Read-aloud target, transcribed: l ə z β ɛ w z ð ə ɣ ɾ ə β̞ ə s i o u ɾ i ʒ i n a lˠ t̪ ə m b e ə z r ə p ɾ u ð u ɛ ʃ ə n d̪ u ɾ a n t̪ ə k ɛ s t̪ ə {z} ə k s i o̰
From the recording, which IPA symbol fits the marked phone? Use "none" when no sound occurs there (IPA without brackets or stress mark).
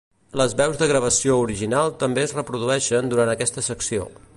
s